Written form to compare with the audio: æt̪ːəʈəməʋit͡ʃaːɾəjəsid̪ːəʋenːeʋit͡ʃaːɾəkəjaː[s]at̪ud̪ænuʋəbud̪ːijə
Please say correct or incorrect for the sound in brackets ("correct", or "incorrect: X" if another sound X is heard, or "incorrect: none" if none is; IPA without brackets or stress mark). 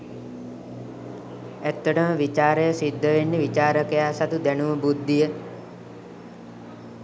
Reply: correct